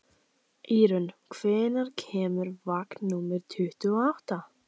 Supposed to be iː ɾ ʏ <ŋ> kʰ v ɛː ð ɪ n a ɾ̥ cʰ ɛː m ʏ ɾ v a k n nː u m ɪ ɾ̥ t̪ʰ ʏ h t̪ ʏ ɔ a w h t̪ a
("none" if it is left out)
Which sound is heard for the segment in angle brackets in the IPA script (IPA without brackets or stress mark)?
n